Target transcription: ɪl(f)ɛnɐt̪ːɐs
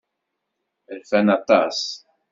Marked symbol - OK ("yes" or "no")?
yes